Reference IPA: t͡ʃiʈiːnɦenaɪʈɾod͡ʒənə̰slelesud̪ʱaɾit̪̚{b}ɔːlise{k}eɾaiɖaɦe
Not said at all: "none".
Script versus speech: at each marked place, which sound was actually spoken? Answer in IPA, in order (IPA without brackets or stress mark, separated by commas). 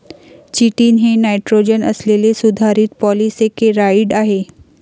p, k